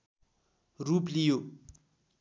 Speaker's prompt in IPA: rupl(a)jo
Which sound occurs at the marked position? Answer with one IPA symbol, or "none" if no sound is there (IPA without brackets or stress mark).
i